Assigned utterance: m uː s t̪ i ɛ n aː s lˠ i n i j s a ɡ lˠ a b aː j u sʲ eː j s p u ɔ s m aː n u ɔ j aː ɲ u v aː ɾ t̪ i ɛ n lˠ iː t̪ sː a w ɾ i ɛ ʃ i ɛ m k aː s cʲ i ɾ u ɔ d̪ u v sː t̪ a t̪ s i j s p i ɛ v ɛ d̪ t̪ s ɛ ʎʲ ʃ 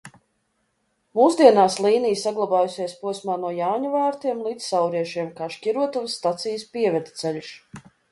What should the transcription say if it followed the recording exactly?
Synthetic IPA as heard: m uː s d̪ i ɛ n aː s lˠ iː n i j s a ɡ lˠ a b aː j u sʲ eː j s p u ɔ s m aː n u ɔ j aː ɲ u v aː ɾ t̪ i ɛ m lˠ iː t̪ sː a w ɾ i ɛ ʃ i ɛ m k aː ʃ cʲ i ɾ u ɔ t̪ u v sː t̪ a t̪ s i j s p i ɛ v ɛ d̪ t̪ s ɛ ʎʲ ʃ